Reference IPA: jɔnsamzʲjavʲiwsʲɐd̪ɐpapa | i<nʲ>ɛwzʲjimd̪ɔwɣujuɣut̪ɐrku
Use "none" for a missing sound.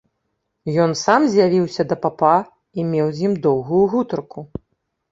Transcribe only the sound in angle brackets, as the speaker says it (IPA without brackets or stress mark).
mʲ